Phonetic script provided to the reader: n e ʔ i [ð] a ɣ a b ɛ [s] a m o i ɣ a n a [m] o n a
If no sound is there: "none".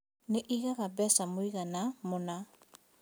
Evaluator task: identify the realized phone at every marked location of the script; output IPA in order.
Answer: ɣ, s, m

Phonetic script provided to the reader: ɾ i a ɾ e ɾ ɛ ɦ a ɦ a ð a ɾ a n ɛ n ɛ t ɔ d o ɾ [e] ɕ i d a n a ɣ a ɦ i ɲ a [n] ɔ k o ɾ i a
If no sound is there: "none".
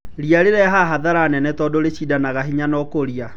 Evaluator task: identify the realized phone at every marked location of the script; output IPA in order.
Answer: e, n

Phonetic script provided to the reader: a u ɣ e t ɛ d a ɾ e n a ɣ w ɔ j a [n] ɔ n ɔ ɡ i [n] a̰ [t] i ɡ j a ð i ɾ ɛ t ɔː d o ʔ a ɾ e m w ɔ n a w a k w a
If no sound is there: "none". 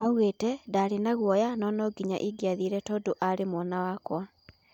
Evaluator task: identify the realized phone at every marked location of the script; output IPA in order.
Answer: n, ɲ, ʔ

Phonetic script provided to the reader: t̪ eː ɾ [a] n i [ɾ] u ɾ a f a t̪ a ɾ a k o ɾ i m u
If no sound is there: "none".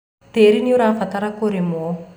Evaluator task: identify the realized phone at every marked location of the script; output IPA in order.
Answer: i, none

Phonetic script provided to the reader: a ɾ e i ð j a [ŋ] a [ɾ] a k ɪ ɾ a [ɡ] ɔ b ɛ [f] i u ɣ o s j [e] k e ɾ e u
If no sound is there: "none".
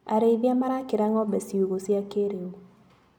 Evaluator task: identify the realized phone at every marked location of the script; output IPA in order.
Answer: m, ɾ, ŋ, s, a

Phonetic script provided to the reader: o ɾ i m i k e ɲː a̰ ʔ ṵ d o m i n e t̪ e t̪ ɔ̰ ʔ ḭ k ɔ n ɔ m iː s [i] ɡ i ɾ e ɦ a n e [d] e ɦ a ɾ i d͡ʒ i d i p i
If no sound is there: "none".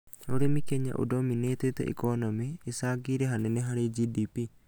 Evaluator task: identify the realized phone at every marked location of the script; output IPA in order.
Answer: a, n

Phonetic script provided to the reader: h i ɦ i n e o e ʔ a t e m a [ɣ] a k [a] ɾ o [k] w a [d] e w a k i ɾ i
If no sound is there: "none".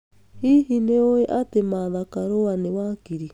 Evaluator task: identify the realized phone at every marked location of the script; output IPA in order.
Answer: ð, a, none, n

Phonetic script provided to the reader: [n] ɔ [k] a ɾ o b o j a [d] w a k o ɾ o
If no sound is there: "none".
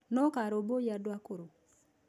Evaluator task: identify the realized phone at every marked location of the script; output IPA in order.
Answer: n, k, d

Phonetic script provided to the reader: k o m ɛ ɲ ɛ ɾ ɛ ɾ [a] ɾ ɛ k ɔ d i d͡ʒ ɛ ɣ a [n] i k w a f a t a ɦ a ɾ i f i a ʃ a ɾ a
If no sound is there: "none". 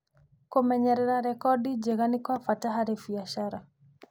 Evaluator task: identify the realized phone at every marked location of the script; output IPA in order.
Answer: a, n

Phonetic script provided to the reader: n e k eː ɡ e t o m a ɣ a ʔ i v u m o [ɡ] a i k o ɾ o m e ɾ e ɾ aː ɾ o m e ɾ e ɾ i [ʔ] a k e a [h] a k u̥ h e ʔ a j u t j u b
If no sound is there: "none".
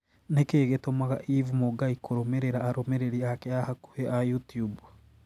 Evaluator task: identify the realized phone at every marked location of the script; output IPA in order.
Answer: ɡ, none, h

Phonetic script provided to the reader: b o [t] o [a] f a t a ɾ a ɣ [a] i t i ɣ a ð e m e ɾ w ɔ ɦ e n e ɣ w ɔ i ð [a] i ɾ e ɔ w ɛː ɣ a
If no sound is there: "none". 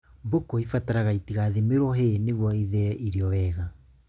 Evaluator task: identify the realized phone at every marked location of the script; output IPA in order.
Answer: k, i, a, ɛ

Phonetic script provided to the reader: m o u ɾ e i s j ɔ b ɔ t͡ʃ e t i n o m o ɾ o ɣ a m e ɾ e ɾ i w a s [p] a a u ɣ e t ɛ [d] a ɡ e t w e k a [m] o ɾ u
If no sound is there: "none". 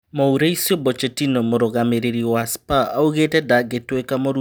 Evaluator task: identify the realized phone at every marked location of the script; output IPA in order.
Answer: p, d, m

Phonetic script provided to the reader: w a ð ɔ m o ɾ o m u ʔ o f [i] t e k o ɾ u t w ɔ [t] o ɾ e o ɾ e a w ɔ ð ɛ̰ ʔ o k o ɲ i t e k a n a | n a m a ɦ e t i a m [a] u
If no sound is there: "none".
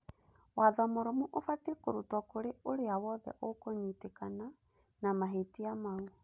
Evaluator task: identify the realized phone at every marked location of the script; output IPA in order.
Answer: a, k, a

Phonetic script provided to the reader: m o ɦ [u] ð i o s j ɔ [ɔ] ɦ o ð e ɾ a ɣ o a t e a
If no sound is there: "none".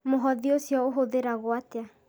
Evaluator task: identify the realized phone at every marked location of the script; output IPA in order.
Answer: ɔ, o

